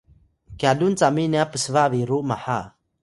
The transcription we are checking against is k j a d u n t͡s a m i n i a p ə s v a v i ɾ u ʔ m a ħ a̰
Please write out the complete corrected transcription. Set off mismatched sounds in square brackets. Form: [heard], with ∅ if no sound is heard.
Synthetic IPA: k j a d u n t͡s a m i n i a p ə s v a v i ɾ u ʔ m a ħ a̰